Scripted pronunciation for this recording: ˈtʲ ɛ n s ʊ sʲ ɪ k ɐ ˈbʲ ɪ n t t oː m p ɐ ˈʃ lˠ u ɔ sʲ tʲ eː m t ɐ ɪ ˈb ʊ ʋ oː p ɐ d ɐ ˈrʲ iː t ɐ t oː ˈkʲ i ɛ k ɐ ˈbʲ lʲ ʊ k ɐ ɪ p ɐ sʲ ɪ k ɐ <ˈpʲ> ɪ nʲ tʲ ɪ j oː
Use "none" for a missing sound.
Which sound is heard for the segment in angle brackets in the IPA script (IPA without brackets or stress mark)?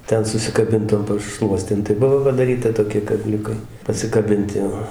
bʲ